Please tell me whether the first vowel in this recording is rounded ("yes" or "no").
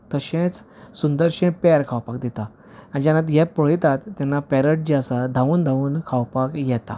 no